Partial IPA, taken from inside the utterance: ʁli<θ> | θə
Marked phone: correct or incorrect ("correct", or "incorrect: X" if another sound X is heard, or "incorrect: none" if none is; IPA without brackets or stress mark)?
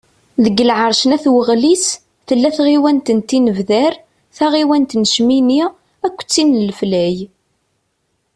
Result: incorrect: s